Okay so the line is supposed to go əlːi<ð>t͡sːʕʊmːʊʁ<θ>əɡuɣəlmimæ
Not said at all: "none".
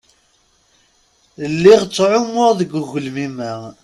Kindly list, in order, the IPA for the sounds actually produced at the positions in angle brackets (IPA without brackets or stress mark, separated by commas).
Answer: ʁ, ð